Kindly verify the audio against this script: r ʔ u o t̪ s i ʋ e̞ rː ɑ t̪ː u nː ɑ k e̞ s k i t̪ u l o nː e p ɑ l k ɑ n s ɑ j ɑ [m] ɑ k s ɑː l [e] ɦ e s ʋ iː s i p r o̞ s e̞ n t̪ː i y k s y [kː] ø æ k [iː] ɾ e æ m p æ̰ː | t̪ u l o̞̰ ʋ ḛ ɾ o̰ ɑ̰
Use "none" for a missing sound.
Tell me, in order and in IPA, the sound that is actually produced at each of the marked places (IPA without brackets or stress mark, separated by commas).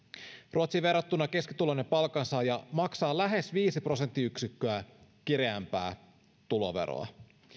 m, æ, kː, i